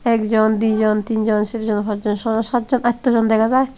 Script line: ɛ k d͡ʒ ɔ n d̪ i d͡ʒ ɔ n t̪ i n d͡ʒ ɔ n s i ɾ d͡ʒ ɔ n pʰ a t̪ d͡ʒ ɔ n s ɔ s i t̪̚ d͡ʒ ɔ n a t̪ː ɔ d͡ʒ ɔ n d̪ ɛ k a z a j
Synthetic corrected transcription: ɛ k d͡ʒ ɔ n d̪ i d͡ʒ ɔ n t̪ i n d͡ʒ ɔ n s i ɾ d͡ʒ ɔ n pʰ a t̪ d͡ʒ ɔ n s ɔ s a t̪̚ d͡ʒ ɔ n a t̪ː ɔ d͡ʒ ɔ n d̪ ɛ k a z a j